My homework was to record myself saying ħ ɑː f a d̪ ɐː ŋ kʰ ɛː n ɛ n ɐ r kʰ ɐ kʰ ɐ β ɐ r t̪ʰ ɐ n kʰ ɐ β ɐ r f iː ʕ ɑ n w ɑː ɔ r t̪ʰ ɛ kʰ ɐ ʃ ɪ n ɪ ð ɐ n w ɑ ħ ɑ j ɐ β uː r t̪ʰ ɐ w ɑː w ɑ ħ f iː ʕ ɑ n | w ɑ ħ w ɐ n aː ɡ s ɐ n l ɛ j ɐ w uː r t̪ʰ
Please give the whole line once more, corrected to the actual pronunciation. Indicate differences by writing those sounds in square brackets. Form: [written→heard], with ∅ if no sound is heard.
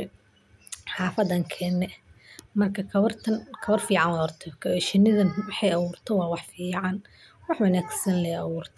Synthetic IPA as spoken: ħ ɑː f [a→ɐ] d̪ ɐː ŋ kʰ ɛː n ɛ [n→m] ɐ r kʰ ɐ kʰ ɐ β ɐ r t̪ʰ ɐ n kʰ ɐ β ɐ r f iː ʕ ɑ n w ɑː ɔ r t̪ʰ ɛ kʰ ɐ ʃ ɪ n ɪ ð ɐ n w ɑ ħ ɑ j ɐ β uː r t̪ʰ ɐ w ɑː w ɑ ħ f iː ʕ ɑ n | w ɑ ħ w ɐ n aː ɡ s ɐ n l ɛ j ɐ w uː r t̪ʰ